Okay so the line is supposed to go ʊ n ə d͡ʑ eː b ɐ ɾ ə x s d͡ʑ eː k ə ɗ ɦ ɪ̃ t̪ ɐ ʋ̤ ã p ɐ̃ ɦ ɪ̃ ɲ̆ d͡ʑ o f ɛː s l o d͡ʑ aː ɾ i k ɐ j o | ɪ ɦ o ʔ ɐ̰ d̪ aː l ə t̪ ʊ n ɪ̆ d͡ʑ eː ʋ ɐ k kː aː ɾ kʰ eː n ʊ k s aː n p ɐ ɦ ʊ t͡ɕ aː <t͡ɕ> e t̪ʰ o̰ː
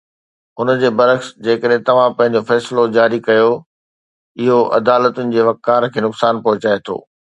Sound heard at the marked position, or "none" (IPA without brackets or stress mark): none